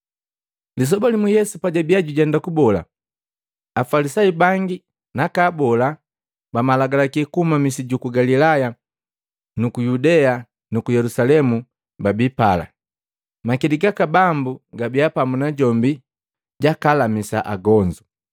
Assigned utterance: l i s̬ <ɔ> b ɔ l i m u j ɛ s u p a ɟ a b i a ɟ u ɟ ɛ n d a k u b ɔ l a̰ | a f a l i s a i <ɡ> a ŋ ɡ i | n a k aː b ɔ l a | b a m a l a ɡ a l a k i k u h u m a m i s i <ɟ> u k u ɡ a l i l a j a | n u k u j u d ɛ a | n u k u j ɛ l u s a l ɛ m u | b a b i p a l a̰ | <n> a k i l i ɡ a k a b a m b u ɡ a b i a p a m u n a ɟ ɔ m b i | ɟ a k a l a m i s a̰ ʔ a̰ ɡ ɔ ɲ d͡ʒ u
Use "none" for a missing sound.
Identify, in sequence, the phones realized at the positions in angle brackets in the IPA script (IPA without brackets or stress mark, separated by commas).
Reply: ɔ, b, ɟ, m